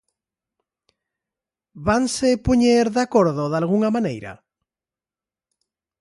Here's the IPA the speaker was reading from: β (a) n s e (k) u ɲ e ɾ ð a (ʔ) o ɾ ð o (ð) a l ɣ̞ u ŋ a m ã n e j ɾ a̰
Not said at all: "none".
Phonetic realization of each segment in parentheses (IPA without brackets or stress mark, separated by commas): a, p, k, ð